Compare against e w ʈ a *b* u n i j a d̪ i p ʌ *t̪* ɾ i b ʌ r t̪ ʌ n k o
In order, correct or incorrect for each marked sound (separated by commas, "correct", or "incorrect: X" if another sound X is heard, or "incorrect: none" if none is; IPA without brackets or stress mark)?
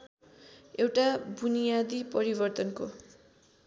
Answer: correct, incorrect: none